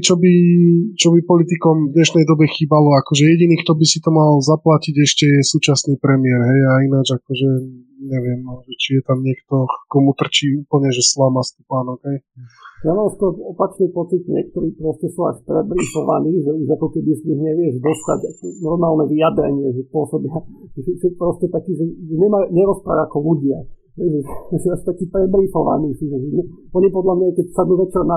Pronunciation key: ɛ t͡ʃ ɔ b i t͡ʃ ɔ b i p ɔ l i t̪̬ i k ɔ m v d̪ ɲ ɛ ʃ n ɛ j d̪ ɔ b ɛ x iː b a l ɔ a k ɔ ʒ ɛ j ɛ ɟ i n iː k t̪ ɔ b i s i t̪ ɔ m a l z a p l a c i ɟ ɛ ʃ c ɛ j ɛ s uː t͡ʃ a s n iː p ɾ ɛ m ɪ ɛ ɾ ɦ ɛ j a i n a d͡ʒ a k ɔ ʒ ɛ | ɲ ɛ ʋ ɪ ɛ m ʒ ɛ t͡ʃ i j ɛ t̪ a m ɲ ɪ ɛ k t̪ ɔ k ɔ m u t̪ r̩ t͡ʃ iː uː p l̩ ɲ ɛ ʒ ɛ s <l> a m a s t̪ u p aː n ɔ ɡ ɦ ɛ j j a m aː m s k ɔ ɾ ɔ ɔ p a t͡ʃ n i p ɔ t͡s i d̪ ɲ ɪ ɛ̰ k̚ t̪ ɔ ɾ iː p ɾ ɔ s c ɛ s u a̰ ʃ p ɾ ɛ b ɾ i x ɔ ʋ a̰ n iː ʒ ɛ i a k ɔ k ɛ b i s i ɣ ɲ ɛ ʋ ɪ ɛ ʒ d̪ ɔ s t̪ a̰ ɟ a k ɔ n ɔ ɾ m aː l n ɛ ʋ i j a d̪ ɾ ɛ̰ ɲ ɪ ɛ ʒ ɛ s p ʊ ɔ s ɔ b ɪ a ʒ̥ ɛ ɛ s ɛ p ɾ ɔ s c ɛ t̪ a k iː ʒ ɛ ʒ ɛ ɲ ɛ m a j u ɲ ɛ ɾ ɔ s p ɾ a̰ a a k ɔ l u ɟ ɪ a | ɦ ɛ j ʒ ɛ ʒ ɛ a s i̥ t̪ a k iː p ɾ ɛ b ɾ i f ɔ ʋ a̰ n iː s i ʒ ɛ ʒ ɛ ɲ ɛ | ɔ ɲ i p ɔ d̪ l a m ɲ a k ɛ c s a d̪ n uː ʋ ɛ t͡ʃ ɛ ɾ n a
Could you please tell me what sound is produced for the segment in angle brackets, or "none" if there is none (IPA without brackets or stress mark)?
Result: l